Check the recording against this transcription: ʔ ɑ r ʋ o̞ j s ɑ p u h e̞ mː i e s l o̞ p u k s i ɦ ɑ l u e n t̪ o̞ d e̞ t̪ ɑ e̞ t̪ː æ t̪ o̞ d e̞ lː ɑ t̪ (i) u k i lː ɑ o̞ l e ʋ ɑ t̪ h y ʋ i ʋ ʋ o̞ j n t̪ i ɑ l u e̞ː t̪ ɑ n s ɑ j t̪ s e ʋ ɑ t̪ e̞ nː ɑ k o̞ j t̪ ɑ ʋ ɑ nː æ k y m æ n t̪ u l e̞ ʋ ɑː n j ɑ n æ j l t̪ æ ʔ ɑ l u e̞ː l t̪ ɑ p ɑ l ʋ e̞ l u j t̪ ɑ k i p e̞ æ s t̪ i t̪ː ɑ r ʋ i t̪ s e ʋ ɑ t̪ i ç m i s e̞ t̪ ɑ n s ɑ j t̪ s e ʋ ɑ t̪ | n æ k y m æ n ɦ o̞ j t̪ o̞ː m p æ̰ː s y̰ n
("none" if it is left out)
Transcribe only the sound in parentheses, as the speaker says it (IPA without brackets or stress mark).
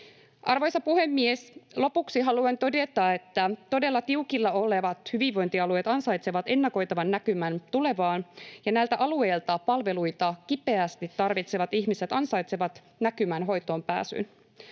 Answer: i